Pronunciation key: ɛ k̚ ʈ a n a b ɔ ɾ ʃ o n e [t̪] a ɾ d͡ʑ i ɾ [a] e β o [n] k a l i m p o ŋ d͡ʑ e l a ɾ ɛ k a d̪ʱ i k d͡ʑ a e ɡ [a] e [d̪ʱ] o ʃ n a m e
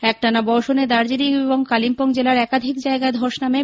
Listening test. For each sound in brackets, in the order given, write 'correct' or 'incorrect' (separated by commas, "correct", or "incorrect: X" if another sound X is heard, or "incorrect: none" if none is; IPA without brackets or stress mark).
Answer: incorrect: d̪, incorrect: i, incorrect: ŋ, correct, correct